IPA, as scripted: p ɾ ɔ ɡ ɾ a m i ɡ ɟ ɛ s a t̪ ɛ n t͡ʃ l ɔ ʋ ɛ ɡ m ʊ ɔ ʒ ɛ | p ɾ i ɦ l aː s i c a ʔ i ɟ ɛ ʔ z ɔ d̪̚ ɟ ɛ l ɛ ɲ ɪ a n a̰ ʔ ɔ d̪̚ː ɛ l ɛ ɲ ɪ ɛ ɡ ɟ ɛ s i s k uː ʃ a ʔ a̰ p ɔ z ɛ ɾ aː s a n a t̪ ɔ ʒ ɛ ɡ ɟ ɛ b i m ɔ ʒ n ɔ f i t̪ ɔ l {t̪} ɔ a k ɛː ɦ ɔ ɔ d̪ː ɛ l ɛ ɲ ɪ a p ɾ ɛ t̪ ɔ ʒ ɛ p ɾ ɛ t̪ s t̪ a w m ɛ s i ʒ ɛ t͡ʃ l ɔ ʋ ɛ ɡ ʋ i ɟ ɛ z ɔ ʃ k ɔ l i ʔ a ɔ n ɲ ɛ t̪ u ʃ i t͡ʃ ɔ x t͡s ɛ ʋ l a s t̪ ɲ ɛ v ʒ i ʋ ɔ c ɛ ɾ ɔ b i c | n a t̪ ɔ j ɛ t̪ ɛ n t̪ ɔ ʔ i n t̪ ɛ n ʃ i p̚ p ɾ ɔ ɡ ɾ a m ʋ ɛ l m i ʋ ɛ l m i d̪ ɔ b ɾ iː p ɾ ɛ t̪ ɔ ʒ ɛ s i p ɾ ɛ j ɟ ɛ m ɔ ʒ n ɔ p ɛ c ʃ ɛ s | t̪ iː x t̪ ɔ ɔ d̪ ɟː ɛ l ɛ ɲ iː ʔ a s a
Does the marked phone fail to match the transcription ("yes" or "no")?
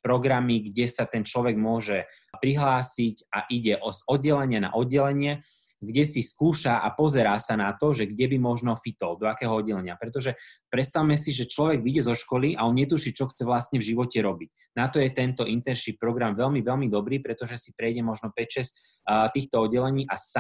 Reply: yes